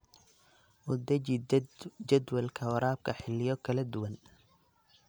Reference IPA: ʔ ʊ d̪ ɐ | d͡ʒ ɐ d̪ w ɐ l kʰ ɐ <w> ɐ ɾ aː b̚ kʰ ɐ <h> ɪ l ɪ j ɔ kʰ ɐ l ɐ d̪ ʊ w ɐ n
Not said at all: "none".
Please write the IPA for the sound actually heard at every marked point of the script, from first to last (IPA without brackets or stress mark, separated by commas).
w, ħ